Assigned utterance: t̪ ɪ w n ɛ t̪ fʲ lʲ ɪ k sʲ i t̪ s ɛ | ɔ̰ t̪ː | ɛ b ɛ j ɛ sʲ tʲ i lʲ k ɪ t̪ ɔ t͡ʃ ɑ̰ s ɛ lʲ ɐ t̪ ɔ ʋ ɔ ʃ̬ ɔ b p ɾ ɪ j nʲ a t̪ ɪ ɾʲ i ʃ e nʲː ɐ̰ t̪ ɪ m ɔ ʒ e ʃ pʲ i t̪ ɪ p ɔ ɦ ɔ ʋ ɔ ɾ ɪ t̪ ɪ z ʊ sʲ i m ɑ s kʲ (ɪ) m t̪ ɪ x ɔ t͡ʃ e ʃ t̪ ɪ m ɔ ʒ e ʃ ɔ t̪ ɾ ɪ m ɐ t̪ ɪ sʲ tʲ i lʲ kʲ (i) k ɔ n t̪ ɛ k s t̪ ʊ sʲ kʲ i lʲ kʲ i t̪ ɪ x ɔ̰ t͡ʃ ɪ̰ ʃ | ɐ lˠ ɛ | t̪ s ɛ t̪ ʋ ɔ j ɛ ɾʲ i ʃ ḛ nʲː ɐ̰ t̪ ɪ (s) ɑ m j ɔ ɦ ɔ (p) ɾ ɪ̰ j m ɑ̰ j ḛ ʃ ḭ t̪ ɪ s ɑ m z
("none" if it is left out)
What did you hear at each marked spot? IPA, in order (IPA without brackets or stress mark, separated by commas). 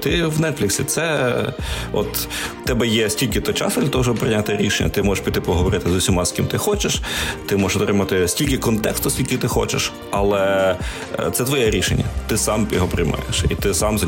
i, ɪ, s, p